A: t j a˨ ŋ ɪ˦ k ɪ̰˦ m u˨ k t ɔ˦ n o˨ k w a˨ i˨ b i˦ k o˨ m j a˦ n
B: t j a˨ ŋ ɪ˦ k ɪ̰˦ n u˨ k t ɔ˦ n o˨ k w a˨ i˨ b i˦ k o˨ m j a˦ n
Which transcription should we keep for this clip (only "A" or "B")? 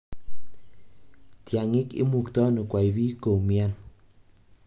A